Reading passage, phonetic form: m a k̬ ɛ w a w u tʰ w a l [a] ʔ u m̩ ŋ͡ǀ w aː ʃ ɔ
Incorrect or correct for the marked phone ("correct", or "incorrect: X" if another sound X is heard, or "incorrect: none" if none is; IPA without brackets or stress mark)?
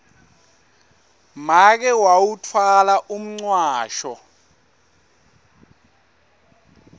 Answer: correct